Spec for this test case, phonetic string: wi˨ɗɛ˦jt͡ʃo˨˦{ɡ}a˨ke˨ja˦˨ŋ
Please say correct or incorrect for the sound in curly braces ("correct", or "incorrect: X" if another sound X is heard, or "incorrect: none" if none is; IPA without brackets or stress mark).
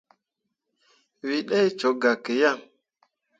correct